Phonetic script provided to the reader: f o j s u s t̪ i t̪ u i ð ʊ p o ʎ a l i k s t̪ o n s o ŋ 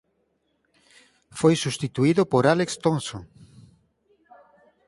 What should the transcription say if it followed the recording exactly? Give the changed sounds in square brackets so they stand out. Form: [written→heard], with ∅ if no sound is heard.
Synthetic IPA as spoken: f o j s u s t̪ i t̪ u i ð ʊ p o [ʎ→ɾ] a l [i→e] k s t̪ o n s o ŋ